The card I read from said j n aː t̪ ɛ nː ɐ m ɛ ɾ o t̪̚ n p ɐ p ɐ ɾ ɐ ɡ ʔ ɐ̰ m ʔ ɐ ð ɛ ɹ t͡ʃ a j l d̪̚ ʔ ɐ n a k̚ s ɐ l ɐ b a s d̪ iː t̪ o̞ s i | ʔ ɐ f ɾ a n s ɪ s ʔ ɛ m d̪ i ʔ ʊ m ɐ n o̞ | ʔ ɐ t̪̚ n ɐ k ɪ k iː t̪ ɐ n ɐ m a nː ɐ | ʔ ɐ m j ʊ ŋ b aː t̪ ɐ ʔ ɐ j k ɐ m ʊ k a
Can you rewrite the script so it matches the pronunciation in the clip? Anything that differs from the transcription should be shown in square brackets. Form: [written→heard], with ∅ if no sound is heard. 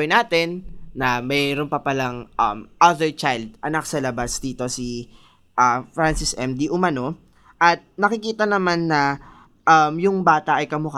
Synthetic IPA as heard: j n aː t̪ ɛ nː ɐ m ɛ ɾ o [t̪̚→∅] n p ɐ p ɐ [ɾ→l] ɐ [ɡ→ŋ] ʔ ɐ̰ m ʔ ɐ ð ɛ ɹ t͡ʃ a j l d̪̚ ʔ ɐ n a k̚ s ɐ l ɐ b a s d̪ iː t̪ o̞ s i | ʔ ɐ f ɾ a n s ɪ s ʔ ɛ m d̪ i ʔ ʊ m ɐ n o̞ | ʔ ɐ t̪̚ n ɐ k ɪ k iː t̪ ɐ n ɐ m a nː ɐ | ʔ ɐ m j ʊ ŋ b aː t̪ ɐ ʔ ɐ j k ɐ m ʊ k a